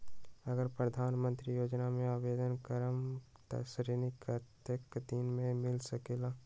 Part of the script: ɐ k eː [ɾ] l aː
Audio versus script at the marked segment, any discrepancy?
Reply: yes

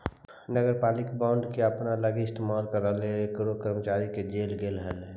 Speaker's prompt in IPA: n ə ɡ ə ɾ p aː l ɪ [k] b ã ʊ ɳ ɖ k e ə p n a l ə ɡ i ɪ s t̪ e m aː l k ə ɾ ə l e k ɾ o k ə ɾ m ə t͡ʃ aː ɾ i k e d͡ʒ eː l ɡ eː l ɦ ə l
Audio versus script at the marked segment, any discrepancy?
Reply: no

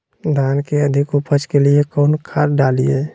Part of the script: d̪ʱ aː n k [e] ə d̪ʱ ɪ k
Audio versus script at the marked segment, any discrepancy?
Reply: no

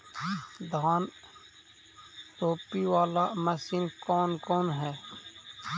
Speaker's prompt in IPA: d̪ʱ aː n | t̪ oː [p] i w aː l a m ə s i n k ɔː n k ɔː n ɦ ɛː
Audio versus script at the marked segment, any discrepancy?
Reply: no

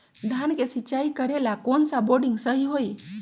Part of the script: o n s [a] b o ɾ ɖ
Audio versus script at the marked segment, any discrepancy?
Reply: no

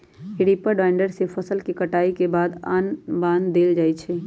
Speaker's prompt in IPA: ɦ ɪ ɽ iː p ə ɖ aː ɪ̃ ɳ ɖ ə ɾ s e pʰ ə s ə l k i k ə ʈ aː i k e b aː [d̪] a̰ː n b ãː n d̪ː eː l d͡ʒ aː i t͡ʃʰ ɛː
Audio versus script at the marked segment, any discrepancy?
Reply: no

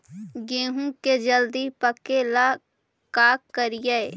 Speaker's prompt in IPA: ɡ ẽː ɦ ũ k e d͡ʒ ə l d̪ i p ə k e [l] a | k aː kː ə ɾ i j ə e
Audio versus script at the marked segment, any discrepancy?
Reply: no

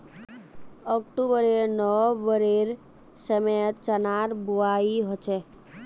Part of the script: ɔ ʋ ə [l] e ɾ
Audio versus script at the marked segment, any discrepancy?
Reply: yes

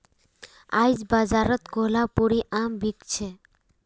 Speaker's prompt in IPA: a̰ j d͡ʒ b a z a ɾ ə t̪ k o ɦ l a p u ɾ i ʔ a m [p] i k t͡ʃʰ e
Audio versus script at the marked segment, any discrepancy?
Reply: yes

